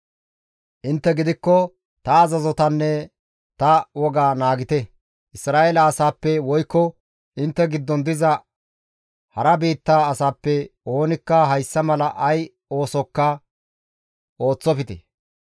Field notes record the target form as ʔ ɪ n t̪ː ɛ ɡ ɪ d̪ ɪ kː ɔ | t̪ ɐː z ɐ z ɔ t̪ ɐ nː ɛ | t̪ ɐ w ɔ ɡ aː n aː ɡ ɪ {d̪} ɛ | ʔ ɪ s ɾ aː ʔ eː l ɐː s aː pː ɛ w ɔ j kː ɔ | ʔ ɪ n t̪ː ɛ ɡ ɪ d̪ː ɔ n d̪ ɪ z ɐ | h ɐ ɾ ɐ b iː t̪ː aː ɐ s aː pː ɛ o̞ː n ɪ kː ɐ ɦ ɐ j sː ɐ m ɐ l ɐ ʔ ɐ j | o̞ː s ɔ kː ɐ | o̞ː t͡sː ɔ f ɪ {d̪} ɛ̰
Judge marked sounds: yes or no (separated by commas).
no, no